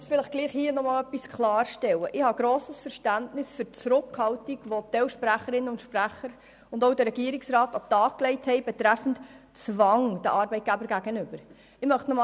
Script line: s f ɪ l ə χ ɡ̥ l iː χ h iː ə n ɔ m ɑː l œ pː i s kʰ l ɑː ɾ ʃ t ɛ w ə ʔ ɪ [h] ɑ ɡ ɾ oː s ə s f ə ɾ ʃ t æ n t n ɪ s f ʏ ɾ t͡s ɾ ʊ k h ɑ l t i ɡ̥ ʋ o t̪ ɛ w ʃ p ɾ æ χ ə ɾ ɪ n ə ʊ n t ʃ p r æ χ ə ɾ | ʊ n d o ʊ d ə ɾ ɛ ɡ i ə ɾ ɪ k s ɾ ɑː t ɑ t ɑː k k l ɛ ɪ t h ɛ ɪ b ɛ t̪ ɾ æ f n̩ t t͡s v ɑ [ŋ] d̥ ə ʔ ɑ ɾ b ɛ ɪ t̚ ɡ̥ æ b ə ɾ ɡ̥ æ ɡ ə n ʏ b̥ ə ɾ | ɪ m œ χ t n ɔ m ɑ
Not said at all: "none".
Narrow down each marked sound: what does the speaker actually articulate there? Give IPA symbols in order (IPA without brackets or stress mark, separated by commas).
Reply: h, ŋ